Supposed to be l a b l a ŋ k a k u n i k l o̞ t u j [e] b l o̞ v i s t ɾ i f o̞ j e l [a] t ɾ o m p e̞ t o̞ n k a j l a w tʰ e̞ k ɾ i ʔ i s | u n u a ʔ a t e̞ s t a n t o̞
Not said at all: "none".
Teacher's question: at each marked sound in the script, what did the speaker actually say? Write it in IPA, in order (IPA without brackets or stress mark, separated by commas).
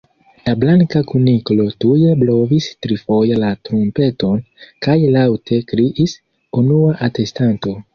e, a